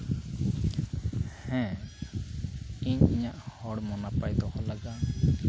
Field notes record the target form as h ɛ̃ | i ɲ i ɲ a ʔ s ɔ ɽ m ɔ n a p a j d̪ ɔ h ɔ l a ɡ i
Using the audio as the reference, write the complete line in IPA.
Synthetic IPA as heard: h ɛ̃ | i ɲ i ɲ a ʔ h ɔ ɽ m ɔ n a p a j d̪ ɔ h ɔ l a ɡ a